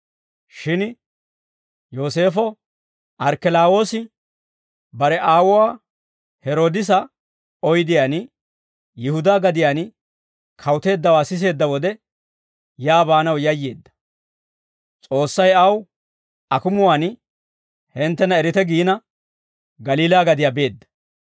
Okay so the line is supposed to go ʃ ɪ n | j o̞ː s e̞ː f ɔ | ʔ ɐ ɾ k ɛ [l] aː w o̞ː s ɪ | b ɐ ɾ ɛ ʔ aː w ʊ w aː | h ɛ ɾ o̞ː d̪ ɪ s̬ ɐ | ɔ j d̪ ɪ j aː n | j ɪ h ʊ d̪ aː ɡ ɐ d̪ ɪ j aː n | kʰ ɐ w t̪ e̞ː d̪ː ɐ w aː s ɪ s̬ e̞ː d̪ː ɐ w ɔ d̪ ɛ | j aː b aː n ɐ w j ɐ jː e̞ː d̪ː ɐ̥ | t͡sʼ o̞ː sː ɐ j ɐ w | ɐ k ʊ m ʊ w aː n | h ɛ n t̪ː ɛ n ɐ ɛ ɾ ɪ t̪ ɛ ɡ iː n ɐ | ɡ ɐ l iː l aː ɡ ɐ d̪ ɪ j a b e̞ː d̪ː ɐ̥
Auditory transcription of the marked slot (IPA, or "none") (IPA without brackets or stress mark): l